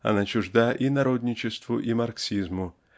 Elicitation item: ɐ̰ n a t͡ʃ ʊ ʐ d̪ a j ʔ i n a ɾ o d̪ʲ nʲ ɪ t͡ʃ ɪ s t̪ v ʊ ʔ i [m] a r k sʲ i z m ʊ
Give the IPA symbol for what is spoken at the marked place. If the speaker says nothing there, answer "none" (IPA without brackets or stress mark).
m